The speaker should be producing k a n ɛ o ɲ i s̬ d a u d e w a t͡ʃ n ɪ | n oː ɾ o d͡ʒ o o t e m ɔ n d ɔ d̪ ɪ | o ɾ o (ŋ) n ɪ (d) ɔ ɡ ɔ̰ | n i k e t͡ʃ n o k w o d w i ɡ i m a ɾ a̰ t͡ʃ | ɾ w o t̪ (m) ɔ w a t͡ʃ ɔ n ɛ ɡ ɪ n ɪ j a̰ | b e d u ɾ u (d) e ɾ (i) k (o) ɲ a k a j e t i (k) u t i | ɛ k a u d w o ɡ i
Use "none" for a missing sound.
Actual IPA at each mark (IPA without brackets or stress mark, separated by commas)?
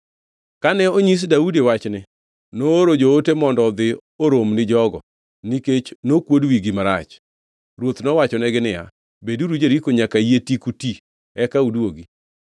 m, d͡ʒ, n, d͡ʒ, i, o, k